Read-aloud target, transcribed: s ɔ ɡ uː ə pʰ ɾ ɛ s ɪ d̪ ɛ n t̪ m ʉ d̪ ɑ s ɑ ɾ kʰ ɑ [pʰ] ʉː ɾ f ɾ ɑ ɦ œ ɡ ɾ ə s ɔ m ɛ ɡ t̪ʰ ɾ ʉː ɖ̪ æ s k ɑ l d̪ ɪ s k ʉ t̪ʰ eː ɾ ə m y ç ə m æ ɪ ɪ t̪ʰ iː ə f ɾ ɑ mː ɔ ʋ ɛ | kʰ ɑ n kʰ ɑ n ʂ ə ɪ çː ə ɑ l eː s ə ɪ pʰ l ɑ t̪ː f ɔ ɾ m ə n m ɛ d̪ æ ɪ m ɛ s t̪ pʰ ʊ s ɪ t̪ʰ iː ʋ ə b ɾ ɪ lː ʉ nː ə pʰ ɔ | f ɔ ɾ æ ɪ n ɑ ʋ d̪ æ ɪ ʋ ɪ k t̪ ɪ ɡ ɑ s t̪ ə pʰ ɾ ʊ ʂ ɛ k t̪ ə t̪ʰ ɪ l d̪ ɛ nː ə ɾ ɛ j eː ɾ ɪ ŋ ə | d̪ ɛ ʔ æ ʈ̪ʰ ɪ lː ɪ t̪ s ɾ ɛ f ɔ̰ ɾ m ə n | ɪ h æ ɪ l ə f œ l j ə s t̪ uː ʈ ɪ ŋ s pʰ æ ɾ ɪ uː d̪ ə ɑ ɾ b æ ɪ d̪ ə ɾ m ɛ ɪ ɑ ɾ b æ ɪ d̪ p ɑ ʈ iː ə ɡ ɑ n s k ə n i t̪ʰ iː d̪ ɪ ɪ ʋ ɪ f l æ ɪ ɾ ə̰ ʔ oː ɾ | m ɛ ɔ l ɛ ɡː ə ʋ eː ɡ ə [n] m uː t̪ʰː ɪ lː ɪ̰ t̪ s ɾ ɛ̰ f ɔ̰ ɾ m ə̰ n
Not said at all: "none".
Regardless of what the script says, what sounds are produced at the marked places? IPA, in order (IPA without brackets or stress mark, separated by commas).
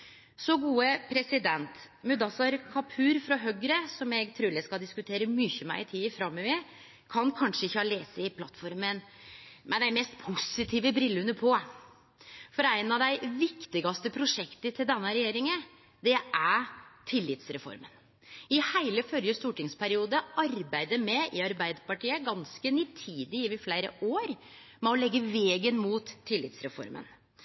pʰ, n